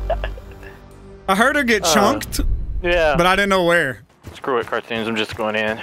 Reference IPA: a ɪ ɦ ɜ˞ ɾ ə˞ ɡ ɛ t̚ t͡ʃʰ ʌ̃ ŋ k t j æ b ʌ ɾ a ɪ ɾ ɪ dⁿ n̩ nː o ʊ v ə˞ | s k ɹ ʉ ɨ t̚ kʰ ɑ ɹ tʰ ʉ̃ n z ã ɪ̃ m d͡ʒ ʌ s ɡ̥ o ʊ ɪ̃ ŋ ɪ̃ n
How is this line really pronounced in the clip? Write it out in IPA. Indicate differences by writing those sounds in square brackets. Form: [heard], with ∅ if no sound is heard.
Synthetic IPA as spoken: a ɪ ɦ ɜ˞ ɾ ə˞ ɡ ɛ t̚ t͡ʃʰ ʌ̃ ŋ k t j æ b ʌ ɾ a ɪ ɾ ɪ dⁿ n̩ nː o ʊ [w] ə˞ | s k ɹ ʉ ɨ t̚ kʰ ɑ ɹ tʰ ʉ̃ n z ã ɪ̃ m d͡ʒ ʌ s ɡ̥ o ʊ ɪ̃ ŋ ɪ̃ n